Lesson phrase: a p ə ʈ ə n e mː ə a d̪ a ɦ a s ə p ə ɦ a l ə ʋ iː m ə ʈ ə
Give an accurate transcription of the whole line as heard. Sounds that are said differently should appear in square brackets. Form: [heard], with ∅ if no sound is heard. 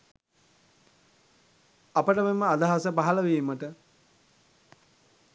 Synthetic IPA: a p ə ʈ ə [m] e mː ə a d̪ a ɦ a s ə p [a] ɦ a l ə ʋ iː m ə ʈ ə